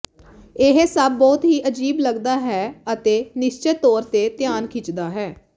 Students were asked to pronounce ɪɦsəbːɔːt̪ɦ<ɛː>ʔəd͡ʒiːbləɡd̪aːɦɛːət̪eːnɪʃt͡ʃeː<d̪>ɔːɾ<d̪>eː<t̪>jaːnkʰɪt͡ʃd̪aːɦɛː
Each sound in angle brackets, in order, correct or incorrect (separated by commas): incorrect, incorrect, incorrect, correct